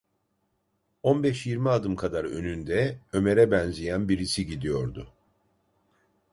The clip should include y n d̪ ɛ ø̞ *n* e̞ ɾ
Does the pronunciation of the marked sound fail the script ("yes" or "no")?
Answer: yes